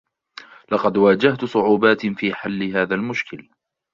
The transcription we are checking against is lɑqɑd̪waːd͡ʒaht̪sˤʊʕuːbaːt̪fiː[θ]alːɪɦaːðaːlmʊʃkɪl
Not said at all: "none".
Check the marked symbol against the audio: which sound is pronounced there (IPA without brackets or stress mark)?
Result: ħ